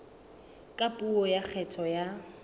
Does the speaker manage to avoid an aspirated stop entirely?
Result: no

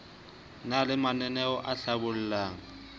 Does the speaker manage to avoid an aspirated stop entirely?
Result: yes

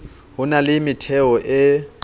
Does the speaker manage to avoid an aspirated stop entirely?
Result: no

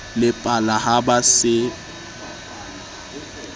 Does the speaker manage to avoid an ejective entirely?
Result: no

